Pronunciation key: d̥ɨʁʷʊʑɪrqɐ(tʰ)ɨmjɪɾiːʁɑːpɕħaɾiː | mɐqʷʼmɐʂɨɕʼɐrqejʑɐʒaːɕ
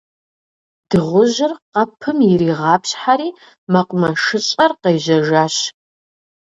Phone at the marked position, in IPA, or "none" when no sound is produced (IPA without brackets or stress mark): pʰ